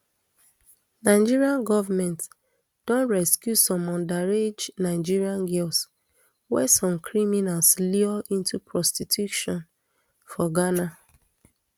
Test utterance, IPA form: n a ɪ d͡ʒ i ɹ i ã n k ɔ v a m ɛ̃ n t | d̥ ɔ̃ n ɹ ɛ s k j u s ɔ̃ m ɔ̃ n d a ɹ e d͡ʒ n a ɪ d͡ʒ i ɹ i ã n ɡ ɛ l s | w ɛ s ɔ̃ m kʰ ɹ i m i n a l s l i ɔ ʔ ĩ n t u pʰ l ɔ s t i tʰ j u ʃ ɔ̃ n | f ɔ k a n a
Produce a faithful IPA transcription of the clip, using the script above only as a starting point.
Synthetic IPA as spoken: n a ɪ d͡ʒ i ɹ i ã n ɡ ɔ v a m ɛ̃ n t | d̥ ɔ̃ n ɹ ɛ s k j u s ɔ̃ m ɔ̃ n d a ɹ e d͡ʒ n a ɪ d͡ʒ i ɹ i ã n ɡ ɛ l s | w ɛ s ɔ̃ m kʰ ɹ i m i n a l s l i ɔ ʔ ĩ n t u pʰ ɹ ɔ s t i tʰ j u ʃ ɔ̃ n | f ɔ ɡ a n a